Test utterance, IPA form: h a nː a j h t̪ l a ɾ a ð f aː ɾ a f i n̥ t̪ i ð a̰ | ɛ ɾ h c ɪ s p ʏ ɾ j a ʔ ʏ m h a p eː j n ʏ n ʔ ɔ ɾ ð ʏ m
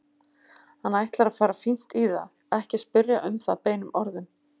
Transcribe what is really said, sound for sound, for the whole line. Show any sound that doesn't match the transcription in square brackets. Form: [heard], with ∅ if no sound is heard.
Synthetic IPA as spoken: h a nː a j h t̪ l a ɾ a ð f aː ɾ a f i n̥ t̪ i ð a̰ | ɛ [∅] h c ɪ s p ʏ ɾ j a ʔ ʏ m [θ] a p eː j n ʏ [m] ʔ ɔ ɾ ð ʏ m